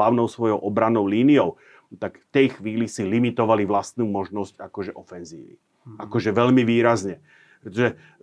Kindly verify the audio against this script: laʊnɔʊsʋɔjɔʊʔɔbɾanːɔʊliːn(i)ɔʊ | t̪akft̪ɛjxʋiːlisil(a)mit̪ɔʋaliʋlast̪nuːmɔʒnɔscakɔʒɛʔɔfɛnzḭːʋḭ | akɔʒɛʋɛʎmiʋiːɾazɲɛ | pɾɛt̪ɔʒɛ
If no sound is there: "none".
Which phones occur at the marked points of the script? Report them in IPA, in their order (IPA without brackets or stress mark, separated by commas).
i, i